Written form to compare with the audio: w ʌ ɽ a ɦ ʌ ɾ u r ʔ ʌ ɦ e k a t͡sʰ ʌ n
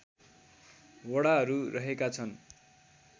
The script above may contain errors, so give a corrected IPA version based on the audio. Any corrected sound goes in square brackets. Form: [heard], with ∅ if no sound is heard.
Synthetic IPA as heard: w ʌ ɽ a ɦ ʌ ɾ u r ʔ ʌ ɦ e k a t͡sʰ ʌ n